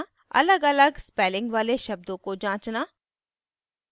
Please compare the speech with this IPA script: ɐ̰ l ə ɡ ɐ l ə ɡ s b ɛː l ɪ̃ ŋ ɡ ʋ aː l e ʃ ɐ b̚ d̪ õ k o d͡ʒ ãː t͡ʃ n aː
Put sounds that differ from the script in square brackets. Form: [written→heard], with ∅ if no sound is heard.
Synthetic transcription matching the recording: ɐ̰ l ə ɡ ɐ l ə ɡ s [b→p] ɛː l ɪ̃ ŋ ɡ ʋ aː l e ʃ ɐ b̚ d̪ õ k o d͡ʒ ãː t͡ʃ n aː